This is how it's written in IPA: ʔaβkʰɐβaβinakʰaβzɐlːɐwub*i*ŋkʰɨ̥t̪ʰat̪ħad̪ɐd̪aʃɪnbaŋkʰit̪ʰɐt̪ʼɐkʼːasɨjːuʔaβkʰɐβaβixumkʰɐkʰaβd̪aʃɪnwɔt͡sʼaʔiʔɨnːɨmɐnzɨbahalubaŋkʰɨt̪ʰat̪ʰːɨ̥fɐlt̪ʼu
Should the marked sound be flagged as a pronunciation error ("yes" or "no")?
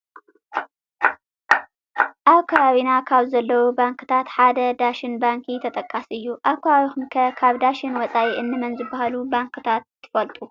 yes